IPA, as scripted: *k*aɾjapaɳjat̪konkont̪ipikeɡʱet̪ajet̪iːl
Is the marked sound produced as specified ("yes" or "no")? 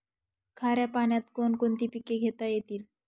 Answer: no